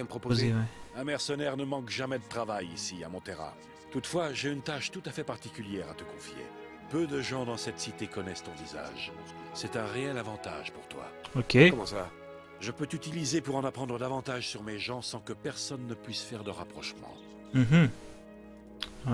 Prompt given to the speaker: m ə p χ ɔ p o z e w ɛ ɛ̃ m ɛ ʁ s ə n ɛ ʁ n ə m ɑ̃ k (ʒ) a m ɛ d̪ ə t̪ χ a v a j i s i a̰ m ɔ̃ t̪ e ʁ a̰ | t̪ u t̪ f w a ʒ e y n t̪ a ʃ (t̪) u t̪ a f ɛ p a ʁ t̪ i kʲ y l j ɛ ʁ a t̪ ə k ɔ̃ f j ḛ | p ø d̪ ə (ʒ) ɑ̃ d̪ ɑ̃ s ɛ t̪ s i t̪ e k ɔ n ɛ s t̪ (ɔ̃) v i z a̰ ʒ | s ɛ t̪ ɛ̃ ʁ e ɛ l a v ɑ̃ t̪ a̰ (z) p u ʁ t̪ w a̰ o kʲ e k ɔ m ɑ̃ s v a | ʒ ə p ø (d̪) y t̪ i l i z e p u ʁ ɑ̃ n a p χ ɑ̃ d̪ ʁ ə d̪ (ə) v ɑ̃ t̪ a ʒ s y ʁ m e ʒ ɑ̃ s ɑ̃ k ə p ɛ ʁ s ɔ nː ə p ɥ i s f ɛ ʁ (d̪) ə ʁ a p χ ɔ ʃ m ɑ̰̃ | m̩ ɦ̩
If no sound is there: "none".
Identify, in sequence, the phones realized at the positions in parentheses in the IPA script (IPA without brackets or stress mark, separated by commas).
ʒ, t̪, ʒ, ɔ̃, ʒ, t̪, a, d̪